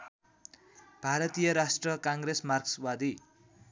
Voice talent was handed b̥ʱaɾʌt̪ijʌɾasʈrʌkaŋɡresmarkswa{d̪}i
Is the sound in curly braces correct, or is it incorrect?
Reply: correct